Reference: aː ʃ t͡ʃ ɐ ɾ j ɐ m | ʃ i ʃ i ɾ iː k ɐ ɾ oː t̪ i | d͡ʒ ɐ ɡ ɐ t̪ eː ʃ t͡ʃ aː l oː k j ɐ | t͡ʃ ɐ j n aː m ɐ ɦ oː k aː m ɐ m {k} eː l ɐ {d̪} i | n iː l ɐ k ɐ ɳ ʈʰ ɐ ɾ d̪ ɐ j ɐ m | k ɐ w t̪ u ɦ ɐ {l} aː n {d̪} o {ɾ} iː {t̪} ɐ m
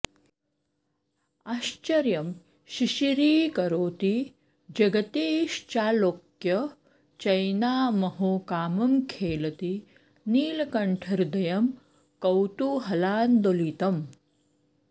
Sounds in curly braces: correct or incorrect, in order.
incorrect, incorrect, correct, correct, incorrect, correct

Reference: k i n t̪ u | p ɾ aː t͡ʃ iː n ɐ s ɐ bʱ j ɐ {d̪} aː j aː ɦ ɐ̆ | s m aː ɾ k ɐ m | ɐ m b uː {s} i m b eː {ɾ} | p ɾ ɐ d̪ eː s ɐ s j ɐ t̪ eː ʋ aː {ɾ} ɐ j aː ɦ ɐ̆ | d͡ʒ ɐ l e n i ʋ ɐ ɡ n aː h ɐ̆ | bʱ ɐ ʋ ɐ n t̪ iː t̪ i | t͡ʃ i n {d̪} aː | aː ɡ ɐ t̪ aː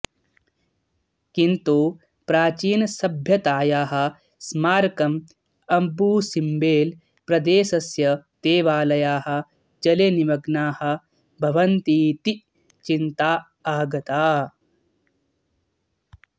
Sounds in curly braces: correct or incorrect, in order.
incorrect, correct, incorrect, incorrect, incorrect

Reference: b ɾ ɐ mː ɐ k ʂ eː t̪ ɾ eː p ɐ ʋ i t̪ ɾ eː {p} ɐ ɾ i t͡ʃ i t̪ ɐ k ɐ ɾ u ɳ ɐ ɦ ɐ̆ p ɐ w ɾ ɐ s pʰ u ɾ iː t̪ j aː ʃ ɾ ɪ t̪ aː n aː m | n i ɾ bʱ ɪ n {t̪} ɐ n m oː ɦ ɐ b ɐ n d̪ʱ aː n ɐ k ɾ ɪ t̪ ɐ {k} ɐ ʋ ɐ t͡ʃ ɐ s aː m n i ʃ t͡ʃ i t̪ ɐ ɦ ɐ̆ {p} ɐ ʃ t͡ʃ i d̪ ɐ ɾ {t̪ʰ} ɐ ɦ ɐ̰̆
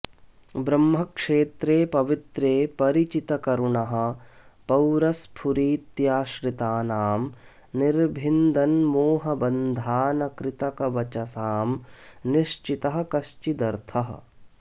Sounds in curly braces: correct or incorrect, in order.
correct, incorrect, correct, incorrect, correct

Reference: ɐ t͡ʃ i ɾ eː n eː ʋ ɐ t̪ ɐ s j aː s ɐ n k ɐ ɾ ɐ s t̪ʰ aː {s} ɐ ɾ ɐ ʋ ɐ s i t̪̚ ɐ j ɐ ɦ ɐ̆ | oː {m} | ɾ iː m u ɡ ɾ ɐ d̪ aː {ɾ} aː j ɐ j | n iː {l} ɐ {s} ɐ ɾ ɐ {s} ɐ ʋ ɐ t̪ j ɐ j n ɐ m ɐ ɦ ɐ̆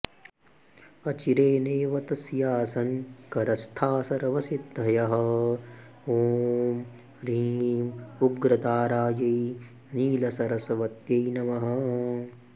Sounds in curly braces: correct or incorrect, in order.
correct, correct, correct, correct, correct, correct

